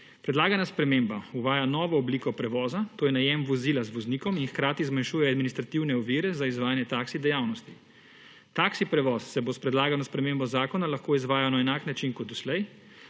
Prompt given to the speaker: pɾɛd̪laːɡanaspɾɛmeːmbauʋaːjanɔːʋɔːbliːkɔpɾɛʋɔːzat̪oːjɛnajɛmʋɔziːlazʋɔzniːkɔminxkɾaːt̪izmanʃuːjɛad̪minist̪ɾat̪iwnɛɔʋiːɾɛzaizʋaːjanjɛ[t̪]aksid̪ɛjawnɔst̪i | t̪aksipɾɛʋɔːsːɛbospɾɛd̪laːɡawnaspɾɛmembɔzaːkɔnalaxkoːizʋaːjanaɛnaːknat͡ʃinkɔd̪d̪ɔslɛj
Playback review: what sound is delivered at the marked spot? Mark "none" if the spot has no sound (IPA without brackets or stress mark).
t̪